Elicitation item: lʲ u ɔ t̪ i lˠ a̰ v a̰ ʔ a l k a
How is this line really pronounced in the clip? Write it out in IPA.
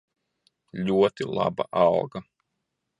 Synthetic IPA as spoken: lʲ u ɔ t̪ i lˠ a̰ b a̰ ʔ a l ɡ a